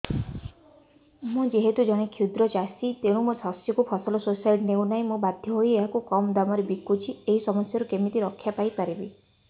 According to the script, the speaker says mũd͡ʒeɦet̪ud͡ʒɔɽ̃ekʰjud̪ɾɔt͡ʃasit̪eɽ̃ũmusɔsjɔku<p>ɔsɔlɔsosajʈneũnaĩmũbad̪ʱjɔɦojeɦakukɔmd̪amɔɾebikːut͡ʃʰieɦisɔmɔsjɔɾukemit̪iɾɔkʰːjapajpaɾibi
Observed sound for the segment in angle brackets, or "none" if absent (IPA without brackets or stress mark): pʰ